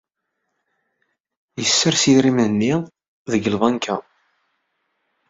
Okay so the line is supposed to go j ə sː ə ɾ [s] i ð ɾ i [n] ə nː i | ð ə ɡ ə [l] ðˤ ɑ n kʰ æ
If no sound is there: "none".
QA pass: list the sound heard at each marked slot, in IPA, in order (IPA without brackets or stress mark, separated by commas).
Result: s, m, l